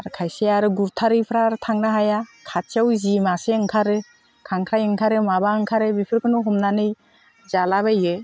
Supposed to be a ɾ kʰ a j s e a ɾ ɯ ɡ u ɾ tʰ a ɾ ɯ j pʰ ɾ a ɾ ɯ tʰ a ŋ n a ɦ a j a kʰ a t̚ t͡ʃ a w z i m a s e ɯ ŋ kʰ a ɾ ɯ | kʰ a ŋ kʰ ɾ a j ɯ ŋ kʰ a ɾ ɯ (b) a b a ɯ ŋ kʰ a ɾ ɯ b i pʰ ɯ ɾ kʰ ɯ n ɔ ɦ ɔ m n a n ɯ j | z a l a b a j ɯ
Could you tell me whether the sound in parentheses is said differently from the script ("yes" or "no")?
yes